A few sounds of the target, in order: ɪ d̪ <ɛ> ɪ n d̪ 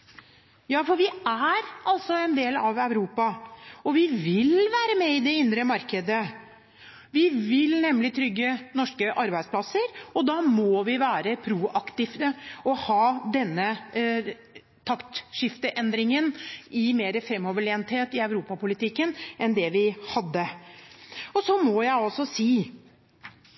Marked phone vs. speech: correct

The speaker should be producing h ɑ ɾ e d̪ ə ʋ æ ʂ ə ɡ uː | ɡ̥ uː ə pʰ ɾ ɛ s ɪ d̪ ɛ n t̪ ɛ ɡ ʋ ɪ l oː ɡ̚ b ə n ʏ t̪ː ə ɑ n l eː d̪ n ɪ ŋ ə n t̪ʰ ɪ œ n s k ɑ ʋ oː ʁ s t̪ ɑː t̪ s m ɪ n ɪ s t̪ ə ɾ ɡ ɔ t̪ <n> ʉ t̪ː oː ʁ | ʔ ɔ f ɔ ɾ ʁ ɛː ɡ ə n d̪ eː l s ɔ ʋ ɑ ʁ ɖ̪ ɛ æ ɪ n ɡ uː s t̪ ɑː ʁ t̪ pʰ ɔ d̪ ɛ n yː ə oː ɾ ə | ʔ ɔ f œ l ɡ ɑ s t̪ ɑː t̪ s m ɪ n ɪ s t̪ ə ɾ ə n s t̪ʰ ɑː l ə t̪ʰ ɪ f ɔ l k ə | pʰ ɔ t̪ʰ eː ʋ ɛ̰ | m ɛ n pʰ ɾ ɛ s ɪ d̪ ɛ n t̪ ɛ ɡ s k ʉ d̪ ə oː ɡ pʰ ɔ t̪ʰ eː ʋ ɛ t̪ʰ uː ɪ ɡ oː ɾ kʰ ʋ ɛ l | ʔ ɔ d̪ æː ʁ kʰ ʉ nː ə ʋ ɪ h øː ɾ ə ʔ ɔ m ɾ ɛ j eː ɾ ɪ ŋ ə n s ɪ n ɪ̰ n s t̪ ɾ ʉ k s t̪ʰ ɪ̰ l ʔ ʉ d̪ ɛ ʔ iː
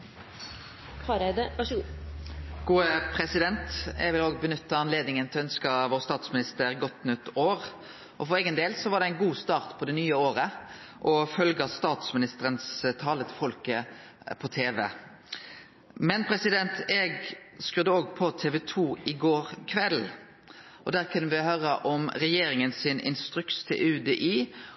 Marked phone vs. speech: correct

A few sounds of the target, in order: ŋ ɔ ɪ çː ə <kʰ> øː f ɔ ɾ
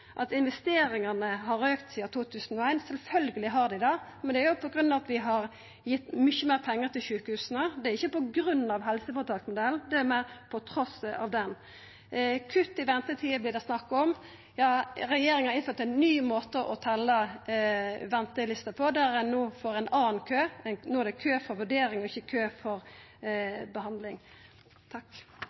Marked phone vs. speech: correct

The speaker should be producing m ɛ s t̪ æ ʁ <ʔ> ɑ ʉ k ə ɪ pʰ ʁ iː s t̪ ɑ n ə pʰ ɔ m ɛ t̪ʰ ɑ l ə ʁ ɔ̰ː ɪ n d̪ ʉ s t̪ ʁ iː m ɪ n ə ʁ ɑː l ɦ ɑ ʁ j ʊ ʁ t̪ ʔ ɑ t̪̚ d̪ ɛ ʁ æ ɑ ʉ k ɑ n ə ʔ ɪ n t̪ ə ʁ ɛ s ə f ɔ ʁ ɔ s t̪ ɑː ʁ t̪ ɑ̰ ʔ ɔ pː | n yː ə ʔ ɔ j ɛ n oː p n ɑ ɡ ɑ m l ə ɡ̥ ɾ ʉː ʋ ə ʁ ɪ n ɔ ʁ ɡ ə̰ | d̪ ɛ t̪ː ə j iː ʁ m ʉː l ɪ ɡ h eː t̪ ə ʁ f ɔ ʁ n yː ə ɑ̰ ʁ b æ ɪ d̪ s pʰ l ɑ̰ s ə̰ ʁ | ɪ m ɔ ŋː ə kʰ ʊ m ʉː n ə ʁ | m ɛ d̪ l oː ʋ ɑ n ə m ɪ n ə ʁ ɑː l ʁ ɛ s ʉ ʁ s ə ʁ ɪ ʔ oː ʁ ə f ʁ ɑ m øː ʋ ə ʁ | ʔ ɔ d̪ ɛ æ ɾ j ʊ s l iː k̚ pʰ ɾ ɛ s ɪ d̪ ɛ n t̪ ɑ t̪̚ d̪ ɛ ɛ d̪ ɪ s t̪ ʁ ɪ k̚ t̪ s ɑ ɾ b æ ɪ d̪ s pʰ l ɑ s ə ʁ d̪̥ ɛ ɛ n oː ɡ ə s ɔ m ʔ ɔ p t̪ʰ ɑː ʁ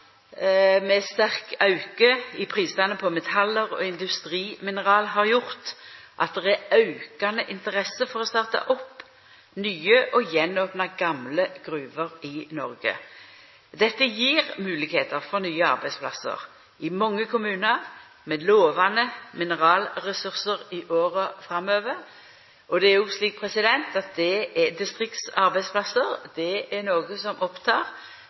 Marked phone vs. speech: incorrect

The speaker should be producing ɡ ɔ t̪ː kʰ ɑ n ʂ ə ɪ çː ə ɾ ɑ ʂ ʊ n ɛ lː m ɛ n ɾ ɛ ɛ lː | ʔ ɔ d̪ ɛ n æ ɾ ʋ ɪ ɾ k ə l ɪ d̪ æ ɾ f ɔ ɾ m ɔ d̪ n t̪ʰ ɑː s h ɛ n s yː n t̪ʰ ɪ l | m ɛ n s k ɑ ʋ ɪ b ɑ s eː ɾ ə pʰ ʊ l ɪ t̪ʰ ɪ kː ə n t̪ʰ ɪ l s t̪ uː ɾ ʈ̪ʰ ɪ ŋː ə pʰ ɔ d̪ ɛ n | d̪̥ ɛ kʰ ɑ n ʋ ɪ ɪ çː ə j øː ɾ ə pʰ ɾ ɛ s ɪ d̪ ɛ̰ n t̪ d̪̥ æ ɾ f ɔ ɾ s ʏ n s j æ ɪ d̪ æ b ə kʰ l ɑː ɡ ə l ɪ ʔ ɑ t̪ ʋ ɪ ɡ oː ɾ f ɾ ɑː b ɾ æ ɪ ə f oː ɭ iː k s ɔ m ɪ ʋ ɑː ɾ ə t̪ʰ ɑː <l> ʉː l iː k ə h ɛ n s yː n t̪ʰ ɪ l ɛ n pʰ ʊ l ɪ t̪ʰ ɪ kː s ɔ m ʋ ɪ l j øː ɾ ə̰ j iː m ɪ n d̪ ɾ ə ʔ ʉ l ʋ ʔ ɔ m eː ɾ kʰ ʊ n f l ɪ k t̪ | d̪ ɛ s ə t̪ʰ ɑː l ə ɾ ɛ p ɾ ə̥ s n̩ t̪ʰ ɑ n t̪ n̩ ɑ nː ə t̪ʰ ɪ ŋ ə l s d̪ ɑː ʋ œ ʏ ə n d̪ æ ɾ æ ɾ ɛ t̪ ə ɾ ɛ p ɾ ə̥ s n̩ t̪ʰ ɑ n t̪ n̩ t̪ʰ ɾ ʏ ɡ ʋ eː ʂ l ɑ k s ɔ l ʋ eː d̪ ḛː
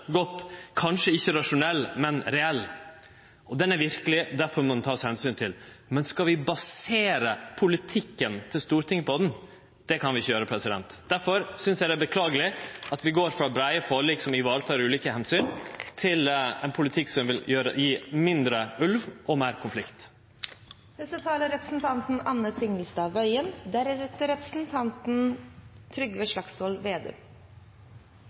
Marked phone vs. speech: incorrect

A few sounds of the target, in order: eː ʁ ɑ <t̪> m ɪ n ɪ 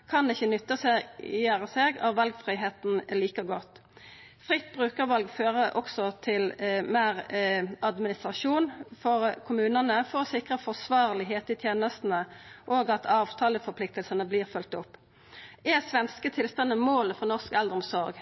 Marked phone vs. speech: incorrect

